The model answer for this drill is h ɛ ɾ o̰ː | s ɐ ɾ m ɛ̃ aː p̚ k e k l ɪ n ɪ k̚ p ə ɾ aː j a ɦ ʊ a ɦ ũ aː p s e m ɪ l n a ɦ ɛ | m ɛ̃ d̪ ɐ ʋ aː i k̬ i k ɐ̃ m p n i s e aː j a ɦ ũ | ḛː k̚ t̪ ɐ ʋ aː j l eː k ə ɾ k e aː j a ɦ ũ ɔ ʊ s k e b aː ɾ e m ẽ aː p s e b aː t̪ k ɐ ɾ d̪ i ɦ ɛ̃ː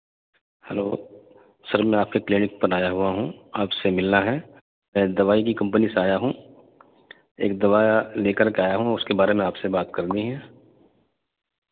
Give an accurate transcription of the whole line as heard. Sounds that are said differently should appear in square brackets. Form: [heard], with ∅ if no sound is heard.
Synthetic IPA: h ɛ [l] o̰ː | s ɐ ɾ m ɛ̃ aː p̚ k e k l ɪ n ɪ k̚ p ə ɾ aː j a ɦ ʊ a ɦ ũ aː p s e m ɪ l n a ɦ ɛ | m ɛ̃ d̪ ɐ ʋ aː i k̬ i k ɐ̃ m p n i s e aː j a ɦ ũ | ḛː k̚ [d̪] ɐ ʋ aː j l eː k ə ɾ k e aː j a ɦ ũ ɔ ʊ s k e b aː ɾ e m ẽ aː p s e b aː t̪ k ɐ ɾ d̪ i ɦ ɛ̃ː